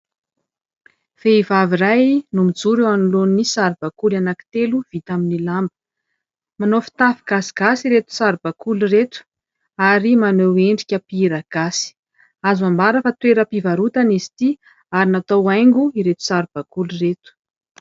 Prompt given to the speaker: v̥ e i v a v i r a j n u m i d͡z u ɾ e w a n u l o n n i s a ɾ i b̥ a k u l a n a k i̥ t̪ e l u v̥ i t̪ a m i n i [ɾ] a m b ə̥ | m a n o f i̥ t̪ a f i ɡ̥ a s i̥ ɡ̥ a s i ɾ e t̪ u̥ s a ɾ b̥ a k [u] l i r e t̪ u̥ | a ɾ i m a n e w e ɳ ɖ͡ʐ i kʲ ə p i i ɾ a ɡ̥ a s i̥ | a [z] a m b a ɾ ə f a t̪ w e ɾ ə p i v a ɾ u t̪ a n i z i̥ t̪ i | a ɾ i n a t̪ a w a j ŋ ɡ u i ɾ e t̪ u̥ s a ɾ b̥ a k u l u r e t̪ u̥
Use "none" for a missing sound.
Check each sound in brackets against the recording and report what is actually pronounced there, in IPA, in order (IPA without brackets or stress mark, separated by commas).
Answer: l, u, z